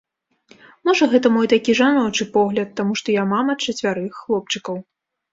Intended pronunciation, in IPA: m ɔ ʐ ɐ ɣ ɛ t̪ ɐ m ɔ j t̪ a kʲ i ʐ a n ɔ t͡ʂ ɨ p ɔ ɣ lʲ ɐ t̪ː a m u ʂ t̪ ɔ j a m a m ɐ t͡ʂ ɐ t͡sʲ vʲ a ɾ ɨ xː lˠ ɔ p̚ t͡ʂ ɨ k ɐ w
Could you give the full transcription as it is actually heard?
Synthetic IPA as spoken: m ɔ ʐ ɐ ɣ ɛ t̪ ɐ m ɔ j t̪ a kʲ i ʐ a n ɔ t͡ʂ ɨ p ɔ ɣ lʲ ɐ t̪ː a m u ʂ t̪ ɔ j a m a m ɐ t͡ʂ ɐ t͡sʲ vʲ a ɾ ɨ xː lˠ ɔ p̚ t͡ʂ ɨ k ɐ w